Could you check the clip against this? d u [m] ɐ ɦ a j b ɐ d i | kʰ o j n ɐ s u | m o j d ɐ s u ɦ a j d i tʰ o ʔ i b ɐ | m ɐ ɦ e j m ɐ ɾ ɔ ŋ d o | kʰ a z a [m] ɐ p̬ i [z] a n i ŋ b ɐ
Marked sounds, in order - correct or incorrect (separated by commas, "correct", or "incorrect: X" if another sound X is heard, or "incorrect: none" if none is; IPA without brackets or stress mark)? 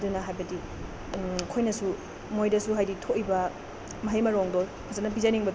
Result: incorrect: n, incorrect: n, correct